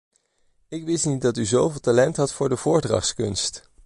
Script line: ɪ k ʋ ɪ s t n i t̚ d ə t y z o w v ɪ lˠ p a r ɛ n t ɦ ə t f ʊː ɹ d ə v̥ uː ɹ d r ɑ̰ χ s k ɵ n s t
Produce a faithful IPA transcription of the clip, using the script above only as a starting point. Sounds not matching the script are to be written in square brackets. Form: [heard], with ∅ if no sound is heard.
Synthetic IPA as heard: ɪ k ʋ ɪ s t n i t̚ d [ɑ] t y z o w v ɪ lˠ [t] a [l] ɛ n t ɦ [ɑ] t f ʊː ɹ d ə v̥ [ʊː] ɹ d r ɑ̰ χ s k ɵ n s t